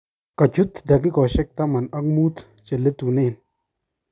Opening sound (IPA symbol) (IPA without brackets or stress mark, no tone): k